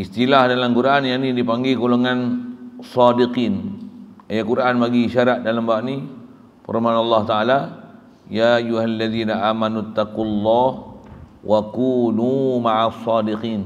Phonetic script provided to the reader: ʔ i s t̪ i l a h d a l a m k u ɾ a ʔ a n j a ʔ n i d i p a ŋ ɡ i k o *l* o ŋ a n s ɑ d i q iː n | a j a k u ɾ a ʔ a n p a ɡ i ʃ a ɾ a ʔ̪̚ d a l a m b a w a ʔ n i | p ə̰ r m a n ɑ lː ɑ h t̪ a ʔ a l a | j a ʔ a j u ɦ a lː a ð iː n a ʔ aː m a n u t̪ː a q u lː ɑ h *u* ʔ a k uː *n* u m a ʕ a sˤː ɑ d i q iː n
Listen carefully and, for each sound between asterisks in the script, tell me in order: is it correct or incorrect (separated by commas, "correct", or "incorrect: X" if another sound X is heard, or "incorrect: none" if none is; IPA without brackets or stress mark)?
correct, incorrect: w, correct